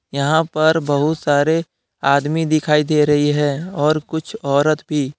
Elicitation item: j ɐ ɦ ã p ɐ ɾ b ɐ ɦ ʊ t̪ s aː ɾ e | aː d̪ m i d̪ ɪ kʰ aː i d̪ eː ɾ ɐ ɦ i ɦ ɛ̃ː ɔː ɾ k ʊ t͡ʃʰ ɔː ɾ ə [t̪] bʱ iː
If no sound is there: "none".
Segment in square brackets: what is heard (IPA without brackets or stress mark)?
t̪